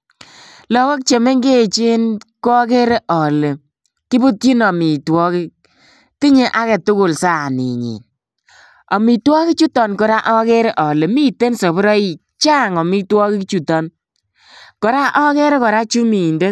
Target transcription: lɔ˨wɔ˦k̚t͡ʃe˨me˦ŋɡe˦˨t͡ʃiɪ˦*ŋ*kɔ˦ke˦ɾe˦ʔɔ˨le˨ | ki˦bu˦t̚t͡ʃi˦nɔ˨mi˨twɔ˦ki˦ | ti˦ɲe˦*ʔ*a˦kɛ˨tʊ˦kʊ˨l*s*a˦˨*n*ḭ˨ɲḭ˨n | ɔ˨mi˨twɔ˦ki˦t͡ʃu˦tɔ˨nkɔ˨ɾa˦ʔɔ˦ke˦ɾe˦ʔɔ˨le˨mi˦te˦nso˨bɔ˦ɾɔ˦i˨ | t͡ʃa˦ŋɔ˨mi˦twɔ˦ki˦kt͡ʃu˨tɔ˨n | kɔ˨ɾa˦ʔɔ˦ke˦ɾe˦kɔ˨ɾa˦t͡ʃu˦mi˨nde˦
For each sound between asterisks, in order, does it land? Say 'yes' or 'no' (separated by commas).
no, yes, yes, yes